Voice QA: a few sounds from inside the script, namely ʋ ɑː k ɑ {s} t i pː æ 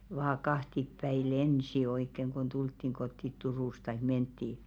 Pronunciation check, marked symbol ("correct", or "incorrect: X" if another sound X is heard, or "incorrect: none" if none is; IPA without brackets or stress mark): incorrect: h